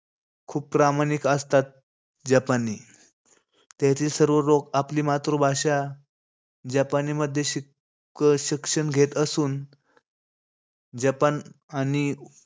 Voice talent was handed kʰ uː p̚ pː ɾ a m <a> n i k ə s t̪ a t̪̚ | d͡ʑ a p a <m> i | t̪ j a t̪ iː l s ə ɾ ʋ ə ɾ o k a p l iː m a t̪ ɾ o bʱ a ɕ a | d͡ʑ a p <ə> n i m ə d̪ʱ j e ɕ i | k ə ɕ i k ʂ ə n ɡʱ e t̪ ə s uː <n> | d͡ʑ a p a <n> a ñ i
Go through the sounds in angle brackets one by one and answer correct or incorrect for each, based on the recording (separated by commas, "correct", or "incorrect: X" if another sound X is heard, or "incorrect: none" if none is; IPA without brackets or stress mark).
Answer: correct, incorrect: n, incorrect: a, correct, correct